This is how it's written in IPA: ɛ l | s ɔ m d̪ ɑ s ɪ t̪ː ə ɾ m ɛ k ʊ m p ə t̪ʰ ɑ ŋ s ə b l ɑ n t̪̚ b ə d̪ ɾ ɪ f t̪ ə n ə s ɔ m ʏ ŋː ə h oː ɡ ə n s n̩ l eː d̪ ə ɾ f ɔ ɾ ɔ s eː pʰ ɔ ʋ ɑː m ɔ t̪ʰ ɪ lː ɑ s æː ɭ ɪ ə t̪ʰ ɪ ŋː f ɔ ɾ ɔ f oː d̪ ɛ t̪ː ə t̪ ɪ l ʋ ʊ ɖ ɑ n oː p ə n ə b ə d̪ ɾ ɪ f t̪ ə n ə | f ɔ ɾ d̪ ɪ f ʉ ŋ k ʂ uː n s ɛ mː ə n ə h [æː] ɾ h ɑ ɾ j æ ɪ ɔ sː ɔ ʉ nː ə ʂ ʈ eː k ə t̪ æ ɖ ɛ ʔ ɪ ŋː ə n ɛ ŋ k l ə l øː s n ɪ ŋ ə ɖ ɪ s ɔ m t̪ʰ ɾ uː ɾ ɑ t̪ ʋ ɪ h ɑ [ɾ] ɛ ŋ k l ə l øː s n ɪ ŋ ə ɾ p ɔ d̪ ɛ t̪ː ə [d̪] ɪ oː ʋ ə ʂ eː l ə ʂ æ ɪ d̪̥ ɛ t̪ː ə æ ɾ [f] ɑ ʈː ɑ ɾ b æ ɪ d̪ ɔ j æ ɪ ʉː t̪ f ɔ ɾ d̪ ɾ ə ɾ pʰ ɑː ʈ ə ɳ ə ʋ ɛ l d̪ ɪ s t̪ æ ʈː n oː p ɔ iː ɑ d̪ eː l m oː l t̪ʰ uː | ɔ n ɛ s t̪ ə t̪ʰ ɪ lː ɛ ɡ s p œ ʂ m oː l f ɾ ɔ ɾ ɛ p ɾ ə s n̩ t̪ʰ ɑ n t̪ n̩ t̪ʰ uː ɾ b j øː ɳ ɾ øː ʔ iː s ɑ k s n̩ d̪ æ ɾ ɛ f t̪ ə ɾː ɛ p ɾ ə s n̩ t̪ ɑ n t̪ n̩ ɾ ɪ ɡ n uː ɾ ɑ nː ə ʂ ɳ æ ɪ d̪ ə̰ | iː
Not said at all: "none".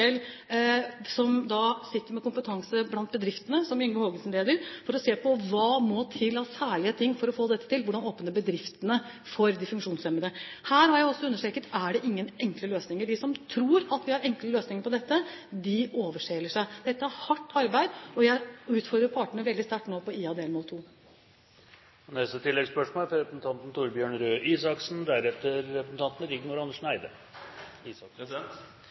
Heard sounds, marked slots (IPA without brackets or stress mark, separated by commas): æː, ɾ, d̪, h